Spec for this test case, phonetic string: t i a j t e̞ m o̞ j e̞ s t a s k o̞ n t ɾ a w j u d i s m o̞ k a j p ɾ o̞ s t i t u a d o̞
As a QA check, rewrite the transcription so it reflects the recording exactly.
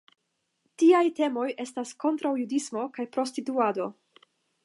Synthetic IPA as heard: t i a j t e̞ m o̞ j e̞ s t a s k o̞ n t ɾ a w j u d i s m o̞ k a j p ɾ o̞ s t i t u a d o̞